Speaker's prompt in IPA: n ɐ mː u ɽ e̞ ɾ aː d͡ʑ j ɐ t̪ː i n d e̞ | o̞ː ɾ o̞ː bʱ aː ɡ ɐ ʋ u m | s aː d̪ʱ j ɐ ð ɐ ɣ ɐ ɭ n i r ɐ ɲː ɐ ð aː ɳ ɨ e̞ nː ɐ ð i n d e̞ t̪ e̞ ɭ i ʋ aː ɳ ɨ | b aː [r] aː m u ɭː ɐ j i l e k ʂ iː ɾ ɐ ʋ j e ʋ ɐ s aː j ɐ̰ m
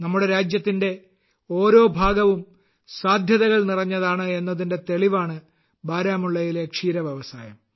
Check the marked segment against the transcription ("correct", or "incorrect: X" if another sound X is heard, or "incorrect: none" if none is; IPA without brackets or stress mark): incorrect: ɾ